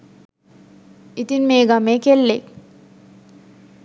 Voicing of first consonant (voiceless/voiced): voiceless